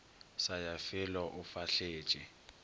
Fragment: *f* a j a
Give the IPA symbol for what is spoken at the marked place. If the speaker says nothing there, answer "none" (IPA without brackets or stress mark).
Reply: s